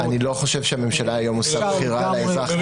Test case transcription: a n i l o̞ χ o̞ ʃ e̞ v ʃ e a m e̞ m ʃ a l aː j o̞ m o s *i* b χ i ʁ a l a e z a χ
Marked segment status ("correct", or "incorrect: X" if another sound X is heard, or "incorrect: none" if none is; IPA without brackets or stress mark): incorrect: a